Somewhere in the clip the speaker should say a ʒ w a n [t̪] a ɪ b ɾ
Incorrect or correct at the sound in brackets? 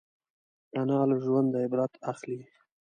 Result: incorrect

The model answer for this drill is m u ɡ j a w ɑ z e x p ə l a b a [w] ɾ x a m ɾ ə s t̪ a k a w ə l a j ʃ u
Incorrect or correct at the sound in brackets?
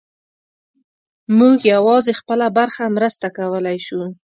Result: incorrect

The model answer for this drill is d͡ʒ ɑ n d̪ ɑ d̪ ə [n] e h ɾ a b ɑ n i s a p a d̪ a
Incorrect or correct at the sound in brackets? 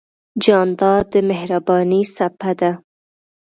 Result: incorrect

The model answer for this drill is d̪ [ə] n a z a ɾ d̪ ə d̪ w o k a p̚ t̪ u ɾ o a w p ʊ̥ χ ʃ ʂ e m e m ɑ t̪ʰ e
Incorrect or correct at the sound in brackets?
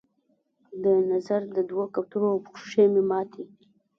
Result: correct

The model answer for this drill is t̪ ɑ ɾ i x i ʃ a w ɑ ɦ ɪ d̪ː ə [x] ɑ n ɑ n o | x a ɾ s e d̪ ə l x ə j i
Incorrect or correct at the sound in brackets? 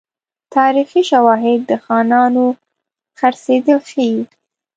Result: correct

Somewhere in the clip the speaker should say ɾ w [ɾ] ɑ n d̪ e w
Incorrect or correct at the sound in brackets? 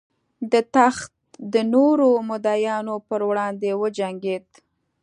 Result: incorrect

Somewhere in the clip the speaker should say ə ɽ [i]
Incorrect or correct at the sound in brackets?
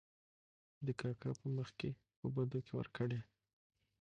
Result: incorrect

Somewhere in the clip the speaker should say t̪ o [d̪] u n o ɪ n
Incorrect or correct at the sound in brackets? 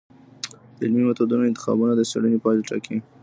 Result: correct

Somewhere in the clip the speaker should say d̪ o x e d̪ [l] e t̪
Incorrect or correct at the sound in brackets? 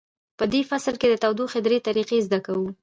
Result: incorrect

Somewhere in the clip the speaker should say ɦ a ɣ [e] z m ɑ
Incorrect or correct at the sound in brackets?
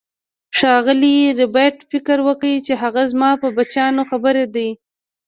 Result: incorrect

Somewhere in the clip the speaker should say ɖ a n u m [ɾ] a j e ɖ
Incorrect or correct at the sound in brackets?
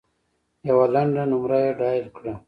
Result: correct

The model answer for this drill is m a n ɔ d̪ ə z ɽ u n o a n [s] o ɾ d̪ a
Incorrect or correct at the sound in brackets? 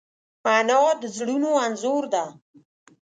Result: incorrect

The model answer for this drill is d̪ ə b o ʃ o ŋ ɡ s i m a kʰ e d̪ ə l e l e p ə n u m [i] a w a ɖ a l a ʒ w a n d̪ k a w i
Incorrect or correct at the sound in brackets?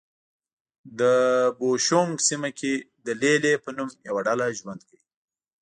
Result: incorrect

